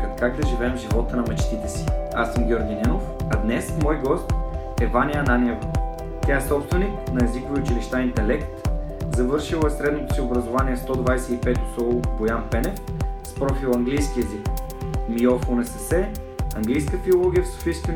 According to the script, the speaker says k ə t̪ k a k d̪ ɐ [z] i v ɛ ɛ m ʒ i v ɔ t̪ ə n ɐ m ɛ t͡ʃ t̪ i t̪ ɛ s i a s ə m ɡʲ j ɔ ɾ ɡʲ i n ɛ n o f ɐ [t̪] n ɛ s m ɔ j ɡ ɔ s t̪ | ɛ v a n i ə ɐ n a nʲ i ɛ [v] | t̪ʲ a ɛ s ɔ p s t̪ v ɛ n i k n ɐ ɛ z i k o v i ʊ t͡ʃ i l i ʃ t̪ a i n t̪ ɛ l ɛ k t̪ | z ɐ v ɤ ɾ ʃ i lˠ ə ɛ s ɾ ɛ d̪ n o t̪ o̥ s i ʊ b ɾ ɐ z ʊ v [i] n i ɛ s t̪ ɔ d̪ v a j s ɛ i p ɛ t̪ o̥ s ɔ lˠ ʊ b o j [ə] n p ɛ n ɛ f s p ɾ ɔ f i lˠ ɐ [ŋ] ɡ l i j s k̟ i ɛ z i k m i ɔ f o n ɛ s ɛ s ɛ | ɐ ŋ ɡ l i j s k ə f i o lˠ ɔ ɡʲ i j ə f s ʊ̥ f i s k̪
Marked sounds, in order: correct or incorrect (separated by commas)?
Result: incorrect, incorrect, correct, incorrect, incorrect, correct